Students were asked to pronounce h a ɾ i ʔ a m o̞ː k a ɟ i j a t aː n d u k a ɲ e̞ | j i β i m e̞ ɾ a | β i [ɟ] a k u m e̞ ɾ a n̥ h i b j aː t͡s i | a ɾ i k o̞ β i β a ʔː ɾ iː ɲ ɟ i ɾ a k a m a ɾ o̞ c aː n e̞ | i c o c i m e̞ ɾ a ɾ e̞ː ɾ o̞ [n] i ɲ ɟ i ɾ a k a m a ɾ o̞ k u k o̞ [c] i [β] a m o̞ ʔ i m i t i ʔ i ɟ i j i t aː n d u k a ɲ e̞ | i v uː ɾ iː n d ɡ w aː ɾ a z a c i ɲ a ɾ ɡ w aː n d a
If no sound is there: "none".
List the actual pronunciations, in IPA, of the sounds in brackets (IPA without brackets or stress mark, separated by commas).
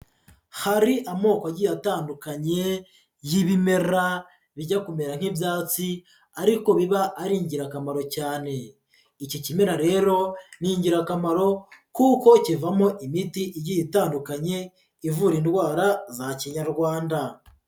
ɟ, n, c, v